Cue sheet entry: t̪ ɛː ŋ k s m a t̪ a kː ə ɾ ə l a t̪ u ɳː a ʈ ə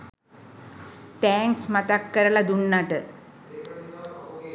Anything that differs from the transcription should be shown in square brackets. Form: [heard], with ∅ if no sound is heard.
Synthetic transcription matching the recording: t̪ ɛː ŋ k s m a t̪ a kː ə ɾ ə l a [d̪] u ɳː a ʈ ə